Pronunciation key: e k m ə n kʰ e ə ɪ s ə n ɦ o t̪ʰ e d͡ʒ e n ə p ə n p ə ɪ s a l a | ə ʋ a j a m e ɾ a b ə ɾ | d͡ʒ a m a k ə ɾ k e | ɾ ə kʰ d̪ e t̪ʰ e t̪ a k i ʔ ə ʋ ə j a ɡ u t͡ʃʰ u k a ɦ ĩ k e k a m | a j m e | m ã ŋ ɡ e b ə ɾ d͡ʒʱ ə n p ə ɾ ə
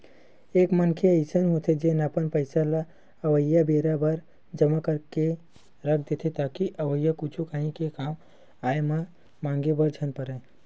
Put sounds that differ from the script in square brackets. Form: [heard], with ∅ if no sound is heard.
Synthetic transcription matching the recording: e k m ə n kʰ e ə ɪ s ə n ɦ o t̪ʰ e d͡ʒ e n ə p ə n p ə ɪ s a l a | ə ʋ [ə] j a [b] e ɾ a b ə ɾ | d͡ʒ [ə] m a k ə ɾ k e | ɾ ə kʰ d̪ e t̪ʰ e t̪ a k i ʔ ə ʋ ə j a [k] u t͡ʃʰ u k a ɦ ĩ k e k a m | a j m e | m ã ŋ ɡ e b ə ɾ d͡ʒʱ ə n p ə ɾ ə